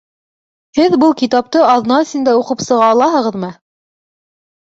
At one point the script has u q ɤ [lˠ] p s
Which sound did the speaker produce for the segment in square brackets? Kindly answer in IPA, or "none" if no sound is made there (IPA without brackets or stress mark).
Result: none